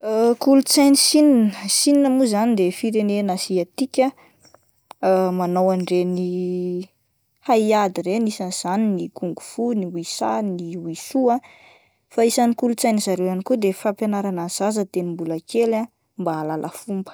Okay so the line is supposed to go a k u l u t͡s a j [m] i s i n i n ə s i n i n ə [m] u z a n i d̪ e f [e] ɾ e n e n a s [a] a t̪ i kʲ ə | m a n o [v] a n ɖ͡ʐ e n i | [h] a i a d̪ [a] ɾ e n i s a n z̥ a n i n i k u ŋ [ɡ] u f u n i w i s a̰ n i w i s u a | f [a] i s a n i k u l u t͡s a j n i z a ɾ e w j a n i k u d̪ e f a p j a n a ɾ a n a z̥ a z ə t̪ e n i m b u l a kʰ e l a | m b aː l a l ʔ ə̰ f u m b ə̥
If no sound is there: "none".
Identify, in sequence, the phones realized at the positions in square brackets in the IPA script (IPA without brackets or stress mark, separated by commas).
n, m, i, i, w, h, i, ɡ, a